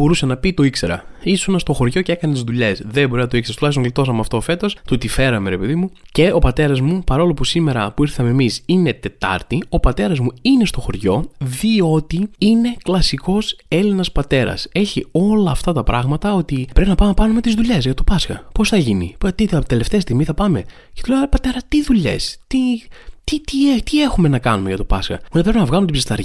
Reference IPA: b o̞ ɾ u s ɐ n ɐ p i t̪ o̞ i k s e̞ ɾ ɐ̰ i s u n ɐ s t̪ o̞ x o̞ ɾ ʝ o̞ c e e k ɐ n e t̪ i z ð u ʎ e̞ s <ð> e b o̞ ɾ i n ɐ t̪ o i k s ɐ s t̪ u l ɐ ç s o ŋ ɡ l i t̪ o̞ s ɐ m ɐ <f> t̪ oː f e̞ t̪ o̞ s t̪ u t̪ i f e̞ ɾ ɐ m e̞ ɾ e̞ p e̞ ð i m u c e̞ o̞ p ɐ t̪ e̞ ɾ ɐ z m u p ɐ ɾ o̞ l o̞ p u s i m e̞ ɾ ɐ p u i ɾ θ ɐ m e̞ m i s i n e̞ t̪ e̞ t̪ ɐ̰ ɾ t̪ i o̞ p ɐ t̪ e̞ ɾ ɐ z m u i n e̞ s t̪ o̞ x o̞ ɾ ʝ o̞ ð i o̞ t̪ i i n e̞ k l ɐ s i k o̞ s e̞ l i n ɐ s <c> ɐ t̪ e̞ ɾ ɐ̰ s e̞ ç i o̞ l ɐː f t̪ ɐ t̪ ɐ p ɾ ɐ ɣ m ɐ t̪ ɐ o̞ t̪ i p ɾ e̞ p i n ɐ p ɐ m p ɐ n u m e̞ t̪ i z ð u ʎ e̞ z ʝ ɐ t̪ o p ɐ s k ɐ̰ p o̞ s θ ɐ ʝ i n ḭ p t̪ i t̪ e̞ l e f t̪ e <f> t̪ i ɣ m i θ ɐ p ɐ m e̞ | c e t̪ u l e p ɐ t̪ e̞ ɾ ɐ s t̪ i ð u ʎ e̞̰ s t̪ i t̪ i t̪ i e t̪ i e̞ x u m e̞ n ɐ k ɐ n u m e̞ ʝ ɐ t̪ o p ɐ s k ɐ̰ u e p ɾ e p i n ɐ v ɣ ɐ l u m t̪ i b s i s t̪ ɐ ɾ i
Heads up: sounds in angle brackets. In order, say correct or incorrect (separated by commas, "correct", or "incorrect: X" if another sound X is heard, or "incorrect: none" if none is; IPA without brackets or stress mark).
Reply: correct, correct, incorrect: p, incorrect: s